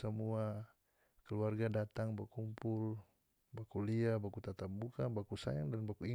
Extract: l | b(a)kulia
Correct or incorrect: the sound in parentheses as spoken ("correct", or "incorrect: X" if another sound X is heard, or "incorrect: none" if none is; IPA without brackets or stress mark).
correct